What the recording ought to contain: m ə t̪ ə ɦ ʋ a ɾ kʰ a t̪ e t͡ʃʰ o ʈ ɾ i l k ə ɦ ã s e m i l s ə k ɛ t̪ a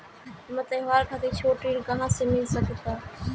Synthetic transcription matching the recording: m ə t̪ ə ɦ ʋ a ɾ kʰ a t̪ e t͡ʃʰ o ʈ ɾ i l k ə ɦ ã s e m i l s ə k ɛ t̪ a